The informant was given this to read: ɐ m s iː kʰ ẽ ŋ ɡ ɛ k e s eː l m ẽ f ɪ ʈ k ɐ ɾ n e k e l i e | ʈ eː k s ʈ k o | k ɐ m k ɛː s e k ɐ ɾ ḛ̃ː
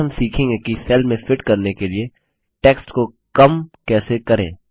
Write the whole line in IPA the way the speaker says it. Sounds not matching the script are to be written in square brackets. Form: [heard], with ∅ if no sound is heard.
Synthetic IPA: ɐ m s iː kʰ ẽ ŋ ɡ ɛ k [i] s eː l m ẽ f ɪ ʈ k ɐ ɾ n e k e l i e | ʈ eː k s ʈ k o | k ɐ m k ɛː s e k ɐ ɾ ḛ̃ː